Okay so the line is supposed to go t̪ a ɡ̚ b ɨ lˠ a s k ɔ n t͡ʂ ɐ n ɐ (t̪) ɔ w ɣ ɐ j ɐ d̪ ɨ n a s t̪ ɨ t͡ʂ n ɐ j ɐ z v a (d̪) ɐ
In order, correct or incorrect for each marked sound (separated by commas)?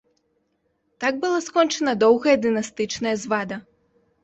incorrect, correct